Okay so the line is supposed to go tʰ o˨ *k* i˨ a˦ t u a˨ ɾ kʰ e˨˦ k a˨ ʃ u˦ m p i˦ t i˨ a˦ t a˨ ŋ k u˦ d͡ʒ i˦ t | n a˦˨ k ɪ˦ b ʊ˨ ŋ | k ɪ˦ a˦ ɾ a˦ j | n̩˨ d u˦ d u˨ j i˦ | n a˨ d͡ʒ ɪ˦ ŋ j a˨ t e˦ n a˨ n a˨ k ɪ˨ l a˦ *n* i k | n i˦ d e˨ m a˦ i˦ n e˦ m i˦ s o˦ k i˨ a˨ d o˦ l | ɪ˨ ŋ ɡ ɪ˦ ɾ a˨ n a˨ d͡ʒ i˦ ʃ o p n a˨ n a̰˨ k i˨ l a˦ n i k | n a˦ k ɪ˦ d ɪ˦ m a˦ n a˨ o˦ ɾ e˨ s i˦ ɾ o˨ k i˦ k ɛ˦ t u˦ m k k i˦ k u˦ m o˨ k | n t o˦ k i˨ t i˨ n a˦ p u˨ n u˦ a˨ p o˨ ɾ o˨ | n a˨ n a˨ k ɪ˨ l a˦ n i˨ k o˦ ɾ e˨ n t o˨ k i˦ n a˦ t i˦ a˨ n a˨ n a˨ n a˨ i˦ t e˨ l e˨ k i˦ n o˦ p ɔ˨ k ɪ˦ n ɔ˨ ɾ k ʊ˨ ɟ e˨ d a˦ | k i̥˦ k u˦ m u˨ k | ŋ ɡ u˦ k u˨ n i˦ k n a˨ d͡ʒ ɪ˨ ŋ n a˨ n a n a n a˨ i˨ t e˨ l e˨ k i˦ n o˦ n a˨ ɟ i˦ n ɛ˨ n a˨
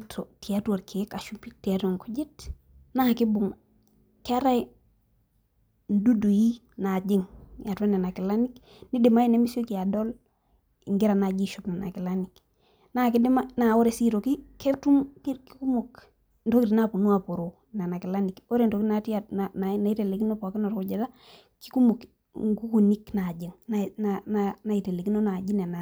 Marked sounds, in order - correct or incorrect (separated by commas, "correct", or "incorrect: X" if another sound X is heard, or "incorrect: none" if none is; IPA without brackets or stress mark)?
incorrect: t, correct